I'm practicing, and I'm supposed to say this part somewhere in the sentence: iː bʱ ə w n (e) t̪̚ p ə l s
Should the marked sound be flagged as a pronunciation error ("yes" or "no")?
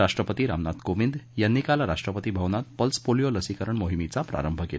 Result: yes